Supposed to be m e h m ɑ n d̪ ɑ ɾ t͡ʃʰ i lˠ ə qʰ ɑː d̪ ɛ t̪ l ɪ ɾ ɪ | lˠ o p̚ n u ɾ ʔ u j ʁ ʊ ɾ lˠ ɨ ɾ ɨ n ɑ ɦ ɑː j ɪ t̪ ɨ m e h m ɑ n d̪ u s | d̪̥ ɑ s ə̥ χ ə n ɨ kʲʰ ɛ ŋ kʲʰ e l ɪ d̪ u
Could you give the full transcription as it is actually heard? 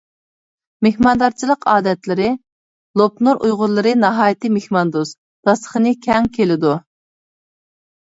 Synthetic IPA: m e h m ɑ n d̪ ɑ ɾ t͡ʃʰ i lˠ ə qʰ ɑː d̪ ɛ t̪ l ɪ ɾ ɪ | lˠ o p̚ n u ɾ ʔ u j ʁ ʊ ɾ lˠ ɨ ɾ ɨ n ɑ ɦ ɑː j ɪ t̪ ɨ m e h m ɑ n d̪ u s | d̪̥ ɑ s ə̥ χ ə n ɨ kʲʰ ɛ ŋ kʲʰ e l ɪ d̪ u